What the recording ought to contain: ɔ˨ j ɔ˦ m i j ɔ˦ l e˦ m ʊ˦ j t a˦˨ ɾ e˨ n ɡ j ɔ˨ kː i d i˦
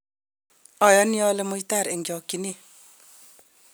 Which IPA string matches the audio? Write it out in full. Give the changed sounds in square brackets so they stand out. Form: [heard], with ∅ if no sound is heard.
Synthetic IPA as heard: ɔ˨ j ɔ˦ [n] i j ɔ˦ l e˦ m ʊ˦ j t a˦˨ ɾ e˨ [ŋ] ɡ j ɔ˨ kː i [n] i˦